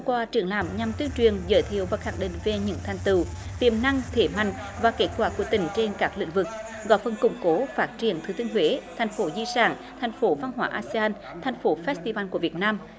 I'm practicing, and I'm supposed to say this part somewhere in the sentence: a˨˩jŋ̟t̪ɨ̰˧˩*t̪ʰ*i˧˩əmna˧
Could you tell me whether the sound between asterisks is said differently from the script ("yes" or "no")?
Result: yes